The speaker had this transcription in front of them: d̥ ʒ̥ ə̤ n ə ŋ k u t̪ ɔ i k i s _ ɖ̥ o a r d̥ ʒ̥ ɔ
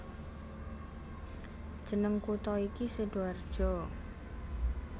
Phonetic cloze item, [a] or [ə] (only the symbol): ə